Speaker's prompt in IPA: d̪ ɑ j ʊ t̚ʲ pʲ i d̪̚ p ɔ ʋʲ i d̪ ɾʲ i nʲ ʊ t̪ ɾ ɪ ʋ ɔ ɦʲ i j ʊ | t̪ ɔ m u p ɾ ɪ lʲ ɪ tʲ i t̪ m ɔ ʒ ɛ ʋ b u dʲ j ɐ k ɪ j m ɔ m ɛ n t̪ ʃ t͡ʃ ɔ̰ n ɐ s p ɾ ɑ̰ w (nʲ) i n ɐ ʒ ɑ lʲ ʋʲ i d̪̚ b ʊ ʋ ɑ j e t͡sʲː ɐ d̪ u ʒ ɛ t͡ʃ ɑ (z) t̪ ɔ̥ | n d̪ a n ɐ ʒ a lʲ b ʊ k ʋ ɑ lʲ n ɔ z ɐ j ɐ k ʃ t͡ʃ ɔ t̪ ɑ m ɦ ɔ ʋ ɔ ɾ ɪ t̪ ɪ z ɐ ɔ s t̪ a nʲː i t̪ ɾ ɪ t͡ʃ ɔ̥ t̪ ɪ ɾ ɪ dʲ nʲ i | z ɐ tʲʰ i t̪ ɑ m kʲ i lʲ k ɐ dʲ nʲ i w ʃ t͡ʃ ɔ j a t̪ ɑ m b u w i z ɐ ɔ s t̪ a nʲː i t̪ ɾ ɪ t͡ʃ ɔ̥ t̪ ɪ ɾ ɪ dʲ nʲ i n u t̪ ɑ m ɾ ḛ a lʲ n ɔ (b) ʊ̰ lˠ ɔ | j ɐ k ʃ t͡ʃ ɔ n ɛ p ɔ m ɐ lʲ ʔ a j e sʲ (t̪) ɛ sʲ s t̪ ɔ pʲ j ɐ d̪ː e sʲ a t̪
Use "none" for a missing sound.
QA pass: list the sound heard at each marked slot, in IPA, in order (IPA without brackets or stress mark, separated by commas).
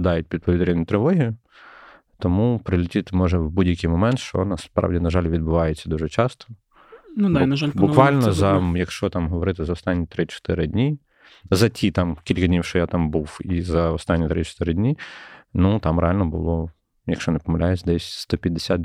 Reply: dʲ, s, b, d̪